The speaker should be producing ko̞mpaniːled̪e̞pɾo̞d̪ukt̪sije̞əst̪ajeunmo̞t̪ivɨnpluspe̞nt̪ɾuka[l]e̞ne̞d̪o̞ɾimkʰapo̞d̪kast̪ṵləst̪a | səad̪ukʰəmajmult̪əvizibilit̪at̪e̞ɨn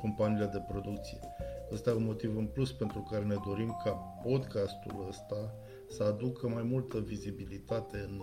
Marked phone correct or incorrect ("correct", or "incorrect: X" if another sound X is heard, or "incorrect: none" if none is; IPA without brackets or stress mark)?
incorrect: ɾ